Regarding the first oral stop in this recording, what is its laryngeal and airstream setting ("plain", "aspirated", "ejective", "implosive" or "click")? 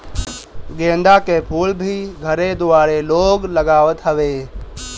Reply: plain